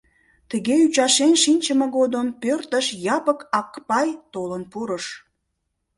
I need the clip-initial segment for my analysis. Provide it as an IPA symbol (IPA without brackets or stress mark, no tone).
t̪